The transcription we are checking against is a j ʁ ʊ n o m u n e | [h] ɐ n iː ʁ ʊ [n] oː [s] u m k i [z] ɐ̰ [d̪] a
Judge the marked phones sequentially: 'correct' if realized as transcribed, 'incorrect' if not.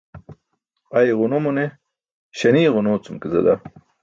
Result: incorrect, correct, incorrect, correct, correct

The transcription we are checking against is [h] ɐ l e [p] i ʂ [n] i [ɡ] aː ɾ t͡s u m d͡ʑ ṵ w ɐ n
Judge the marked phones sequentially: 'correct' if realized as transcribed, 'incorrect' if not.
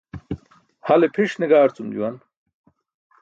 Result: correct, incorrect, correct, correct

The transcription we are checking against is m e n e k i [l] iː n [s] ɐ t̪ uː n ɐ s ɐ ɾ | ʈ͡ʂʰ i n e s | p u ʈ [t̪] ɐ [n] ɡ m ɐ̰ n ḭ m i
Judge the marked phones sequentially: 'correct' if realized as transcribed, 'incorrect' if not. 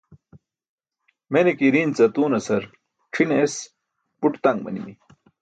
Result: incorrect, incorrect, correct, incorrect

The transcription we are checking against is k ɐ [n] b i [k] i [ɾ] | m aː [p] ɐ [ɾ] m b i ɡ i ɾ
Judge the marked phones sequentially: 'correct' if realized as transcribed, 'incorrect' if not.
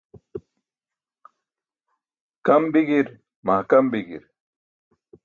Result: incorrect, incorrect, correct, incorrect, incorrect

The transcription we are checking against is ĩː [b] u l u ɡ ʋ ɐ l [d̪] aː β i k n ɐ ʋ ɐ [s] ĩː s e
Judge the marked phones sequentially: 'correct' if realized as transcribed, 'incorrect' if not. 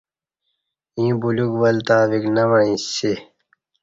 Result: correct, incorrect, incorrect

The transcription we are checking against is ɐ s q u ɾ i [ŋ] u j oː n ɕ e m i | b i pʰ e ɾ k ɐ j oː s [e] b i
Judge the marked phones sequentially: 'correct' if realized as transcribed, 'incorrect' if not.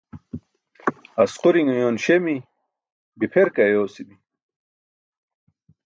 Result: correct, incorrect

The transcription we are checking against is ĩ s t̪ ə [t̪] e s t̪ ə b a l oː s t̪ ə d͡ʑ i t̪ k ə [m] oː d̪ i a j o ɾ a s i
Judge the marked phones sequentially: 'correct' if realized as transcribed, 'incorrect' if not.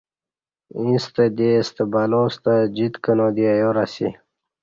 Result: incorrect, incorrect

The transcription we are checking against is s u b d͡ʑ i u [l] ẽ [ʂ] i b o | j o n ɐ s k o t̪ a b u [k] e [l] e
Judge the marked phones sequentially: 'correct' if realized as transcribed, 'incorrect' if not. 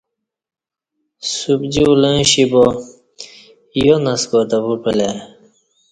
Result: correct, incorrect, incorrect, correct

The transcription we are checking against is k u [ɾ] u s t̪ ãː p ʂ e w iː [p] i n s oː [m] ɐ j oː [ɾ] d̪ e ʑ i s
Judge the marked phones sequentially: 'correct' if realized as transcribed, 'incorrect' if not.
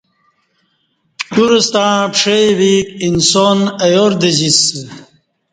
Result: correct, incorrect, incorrect, correct

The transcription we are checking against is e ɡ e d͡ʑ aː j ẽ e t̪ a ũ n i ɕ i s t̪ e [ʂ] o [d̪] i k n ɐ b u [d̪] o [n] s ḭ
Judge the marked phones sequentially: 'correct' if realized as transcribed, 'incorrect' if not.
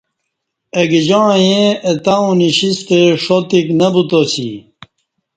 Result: correct, incorrect, incorrect, incorrect

